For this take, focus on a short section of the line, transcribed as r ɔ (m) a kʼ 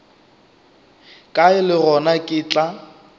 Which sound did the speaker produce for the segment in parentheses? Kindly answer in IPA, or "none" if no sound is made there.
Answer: n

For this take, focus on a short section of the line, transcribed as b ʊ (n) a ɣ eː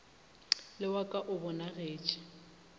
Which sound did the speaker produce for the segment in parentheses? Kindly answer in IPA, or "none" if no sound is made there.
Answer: n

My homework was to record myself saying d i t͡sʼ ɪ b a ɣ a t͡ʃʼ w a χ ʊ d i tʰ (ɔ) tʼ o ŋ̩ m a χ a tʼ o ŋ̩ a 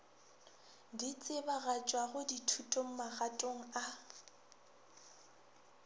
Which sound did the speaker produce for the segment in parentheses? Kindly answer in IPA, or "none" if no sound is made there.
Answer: u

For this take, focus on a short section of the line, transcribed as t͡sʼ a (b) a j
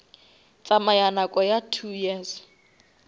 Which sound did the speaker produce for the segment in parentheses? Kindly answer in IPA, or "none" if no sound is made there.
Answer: m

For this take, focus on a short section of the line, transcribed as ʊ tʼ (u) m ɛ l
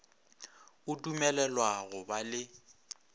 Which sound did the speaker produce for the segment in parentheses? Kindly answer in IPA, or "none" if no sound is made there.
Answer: u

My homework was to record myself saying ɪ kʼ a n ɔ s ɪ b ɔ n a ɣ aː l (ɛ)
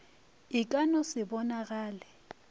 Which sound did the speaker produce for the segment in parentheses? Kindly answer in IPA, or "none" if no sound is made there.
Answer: ɛ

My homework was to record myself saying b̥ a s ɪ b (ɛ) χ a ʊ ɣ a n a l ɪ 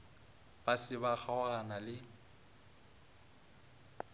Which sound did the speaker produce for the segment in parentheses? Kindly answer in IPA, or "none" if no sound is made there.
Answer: a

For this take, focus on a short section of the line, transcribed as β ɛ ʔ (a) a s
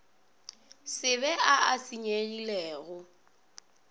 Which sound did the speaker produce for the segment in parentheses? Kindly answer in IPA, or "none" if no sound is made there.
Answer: a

